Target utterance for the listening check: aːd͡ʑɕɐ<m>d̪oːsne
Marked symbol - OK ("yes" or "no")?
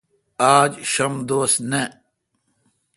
yes